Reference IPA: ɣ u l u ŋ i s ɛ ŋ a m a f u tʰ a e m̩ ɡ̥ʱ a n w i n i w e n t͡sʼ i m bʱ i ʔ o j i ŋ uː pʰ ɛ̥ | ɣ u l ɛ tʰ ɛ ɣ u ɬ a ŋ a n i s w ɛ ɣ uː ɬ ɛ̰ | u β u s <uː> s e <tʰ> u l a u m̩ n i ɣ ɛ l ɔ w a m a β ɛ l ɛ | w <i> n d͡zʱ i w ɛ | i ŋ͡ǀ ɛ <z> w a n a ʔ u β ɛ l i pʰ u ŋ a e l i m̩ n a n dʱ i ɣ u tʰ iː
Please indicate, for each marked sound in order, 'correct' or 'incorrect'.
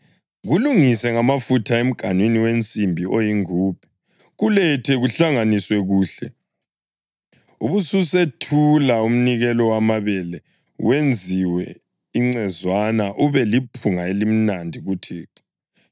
incorrect: u, correct, incorrect: e, correct

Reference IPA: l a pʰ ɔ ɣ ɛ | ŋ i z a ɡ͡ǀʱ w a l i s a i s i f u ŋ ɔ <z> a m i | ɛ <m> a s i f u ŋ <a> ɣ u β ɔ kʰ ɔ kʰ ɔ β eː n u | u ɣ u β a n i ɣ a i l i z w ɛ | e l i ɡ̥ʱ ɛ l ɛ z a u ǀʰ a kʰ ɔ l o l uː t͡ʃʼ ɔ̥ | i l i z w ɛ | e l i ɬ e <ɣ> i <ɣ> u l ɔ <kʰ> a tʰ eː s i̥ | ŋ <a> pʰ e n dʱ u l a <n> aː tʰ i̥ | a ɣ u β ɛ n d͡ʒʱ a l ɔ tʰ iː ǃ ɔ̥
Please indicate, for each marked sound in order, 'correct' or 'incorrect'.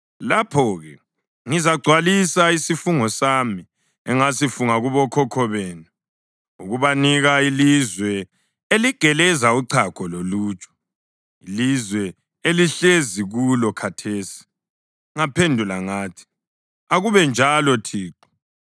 incorrect: s, incorrect: ŋ, correct, incorrect: z, correct, correct, correct, incorrect: ŋ

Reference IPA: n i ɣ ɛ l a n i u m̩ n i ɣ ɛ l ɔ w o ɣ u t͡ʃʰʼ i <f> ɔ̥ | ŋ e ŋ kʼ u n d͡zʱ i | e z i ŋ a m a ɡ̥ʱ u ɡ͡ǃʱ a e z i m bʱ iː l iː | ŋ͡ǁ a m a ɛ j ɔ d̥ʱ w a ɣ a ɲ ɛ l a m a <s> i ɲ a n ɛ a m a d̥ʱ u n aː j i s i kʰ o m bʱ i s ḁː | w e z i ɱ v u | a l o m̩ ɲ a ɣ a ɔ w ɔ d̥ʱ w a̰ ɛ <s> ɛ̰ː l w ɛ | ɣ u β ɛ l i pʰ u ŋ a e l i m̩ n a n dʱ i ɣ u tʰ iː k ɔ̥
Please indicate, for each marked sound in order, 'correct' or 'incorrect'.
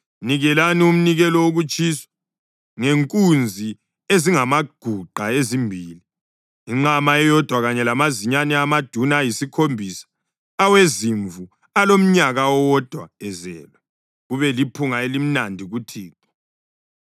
incorrect: s, incorrect: z, incorrect: z

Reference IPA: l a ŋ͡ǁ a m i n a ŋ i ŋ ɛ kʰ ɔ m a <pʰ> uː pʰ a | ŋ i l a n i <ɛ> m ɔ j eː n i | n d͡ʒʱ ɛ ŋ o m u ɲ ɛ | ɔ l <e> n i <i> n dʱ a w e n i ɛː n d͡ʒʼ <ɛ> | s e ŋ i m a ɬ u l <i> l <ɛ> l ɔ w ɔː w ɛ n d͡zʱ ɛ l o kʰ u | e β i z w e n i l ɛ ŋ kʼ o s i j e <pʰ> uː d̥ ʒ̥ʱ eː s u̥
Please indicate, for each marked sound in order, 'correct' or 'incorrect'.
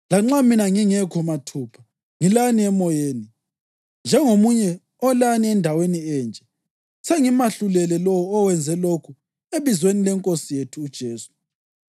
incorrect: tʰ, correct, incorrect: a, incorrect: ɛ, correct, incorrect: ɛ, correct, incorrect: tʰ

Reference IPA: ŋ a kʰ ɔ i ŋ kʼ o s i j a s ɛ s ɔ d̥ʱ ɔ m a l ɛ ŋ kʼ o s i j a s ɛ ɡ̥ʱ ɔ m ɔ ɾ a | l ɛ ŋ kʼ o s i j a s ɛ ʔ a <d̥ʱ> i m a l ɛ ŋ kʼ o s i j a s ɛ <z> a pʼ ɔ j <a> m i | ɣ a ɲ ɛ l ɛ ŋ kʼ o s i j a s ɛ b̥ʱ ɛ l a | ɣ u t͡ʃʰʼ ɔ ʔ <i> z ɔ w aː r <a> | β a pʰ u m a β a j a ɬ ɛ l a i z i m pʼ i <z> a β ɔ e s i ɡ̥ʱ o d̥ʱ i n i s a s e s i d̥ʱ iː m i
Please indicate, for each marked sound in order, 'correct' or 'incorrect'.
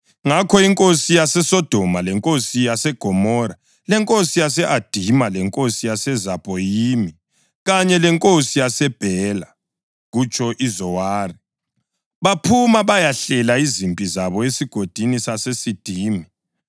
correct, correct, incorrect: i, correct, incorrect: i, correct

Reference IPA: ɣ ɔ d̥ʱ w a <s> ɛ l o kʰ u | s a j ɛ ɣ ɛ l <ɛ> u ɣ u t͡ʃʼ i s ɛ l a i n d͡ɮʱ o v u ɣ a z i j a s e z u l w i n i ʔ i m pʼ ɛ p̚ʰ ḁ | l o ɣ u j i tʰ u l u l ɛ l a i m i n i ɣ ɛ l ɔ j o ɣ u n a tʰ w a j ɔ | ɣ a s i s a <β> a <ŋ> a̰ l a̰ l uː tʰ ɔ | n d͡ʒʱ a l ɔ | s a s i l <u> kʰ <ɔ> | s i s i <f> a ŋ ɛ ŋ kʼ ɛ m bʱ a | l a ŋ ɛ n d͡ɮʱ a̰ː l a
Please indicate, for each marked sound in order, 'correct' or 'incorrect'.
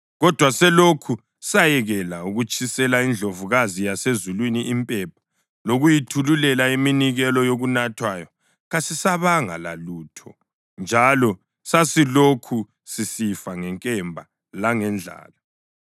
correct, incorrect: a, correct, correct, incorrect: o, incorrect: u, correct

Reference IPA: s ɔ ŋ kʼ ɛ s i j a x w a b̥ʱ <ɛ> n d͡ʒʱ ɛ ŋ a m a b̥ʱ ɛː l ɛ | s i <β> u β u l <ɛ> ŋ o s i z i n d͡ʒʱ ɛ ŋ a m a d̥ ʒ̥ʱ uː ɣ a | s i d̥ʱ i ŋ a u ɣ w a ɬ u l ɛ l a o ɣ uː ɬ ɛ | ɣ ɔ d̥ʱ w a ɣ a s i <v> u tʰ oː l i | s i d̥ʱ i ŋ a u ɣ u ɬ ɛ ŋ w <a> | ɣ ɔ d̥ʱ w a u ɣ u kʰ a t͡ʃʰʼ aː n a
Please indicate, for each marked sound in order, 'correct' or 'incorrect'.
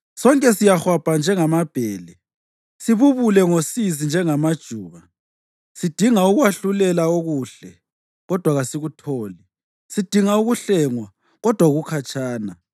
incorrect: a, correct, correct, incorrect: ɣ, correct

